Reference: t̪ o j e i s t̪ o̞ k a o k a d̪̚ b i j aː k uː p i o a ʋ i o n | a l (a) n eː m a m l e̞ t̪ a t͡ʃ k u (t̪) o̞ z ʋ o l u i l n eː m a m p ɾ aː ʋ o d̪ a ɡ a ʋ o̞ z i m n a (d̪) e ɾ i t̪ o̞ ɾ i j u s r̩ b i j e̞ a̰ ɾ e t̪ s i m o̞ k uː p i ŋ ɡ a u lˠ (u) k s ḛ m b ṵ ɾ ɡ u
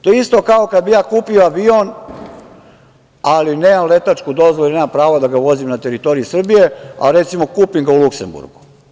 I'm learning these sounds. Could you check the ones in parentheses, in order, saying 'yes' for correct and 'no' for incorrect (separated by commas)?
no, no, no, yes